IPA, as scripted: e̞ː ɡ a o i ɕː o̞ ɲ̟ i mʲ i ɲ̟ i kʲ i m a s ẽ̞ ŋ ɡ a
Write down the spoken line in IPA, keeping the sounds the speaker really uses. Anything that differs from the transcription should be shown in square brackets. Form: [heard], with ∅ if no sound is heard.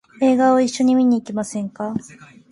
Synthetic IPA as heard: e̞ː ɡ a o i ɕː o̞ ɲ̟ i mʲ i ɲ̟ [iː] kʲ i m a s ẽ̞ ŋ [k] a